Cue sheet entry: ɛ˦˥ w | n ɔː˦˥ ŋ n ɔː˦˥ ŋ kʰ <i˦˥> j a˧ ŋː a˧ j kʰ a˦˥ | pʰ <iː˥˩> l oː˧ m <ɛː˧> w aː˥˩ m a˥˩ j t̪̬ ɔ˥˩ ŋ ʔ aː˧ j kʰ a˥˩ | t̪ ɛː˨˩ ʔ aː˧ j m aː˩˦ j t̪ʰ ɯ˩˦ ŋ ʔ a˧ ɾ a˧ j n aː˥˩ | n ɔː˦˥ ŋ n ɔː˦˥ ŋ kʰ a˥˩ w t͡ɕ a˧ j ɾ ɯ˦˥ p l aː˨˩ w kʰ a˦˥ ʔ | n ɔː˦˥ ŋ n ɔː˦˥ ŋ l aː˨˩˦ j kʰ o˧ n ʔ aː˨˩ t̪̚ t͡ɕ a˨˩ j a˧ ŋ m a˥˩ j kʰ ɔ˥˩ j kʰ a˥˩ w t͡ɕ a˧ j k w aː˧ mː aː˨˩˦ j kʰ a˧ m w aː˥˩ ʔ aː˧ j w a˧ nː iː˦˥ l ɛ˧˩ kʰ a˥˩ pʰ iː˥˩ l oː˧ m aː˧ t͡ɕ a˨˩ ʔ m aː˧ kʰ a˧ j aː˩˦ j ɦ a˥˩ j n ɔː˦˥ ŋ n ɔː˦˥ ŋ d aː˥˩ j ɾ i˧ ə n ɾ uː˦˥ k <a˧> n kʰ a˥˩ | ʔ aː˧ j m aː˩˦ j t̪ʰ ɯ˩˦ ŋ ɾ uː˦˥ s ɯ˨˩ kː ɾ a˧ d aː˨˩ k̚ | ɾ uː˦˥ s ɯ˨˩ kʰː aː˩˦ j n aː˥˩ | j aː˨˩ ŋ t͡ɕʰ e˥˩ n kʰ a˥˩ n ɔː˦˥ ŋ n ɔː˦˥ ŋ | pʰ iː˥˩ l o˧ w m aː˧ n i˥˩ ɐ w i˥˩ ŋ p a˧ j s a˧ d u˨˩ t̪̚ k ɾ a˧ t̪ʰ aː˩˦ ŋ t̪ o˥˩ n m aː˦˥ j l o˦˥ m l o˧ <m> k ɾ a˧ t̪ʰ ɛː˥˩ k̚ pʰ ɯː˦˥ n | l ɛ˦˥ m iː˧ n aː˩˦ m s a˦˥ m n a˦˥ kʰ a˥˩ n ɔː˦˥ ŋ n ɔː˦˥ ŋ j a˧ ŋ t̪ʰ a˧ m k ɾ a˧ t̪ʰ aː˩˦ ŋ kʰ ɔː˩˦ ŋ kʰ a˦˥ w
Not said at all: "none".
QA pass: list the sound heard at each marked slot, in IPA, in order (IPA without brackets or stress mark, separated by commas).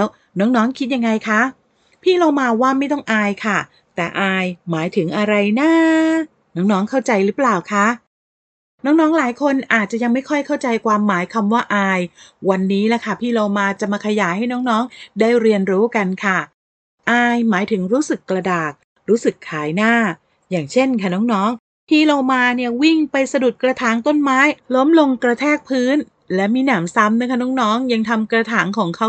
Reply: i˦˥, iː˥˩, aː˧, a˧, ŋ